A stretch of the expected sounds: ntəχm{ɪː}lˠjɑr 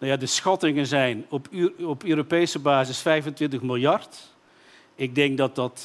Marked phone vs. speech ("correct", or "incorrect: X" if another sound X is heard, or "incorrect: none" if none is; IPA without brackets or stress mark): incorrect: ɪ